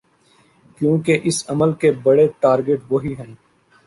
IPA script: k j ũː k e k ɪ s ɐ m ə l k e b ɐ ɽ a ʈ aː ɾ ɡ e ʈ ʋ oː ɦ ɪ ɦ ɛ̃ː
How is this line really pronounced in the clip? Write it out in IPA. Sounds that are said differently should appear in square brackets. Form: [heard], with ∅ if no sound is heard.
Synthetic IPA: k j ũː k e [ʔ] ɪ s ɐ m ə l k e b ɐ ɽ [e] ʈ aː ɾ ɡ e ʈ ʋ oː ɦ [i] ɦ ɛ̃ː